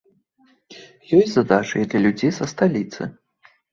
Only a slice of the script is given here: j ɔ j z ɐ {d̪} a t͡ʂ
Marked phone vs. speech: correct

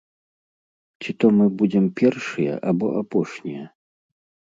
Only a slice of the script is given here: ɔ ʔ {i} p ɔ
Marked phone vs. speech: incorrect: a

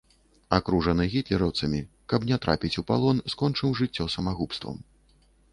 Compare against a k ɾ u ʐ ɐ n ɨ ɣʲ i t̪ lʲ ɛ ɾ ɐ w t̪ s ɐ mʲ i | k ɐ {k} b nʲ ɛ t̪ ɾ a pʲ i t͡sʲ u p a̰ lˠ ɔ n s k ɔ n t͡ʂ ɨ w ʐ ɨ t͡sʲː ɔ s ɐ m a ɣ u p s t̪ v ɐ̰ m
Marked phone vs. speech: incorrect: none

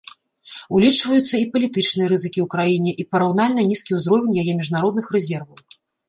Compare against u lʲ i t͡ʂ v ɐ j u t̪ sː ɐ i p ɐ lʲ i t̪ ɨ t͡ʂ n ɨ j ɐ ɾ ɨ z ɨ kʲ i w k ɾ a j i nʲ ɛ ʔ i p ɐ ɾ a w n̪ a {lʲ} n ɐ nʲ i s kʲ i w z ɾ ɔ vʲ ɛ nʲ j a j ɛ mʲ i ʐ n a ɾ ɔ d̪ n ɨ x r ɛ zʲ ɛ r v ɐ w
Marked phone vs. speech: correct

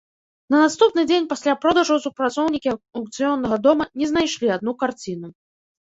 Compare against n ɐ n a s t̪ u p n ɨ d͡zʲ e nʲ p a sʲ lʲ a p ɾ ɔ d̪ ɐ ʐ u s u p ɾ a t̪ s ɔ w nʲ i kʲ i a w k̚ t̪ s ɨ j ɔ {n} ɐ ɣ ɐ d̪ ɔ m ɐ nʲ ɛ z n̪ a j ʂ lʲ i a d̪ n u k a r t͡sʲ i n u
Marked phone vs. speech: incorrect: nː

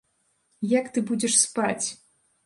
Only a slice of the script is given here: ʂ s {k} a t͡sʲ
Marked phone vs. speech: incorrect: p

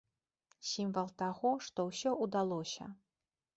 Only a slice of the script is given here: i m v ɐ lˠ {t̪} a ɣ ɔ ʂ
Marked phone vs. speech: correct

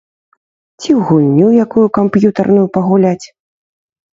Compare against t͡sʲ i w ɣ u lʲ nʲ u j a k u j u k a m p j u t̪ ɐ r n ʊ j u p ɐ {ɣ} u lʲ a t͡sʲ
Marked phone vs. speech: correct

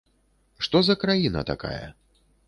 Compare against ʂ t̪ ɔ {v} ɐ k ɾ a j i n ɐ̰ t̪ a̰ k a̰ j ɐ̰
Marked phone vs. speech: incorrect: z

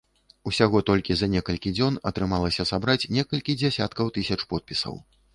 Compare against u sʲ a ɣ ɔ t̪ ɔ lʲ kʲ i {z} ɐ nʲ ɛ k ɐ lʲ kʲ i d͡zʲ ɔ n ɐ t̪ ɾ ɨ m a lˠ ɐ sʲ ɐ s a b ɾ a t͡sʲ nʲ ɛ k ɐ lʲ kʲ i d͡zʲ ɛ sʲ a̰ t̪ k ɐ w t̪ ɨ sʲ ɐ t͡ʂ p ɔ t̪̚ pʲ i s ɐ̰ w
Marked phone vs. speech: correct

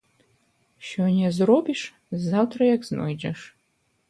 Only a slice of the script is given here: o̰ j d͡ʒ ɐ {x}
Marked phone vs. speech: incorrect: ʂ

